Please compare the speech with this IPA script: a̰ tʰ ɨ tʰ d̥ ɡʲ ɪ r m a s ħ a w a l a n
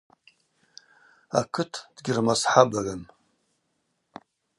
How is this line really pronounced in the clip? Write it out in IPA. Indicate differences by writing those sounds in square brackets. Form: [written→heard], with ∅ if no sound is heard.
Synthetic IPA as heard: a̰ [tʰ→kʰ] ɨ tʰ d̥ ɡʲ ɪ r m a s ħ a [w→b] a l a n